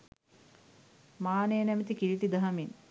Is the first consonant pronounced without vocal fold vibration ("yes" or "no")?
no